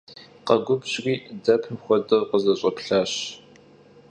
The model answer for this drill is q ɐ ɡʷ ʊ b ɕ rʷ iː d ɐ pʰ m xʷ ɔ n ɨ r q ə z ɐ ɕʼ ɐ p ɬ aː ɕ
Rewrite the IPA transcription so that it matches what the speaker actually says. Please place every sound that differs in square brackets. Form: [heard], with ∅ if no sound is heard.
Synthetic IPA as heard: q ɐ ɡʷ ʊ b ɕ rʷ iː d ɐ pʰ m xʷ ɔ [d] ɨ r q ə z ɐ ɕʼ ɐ p ɬ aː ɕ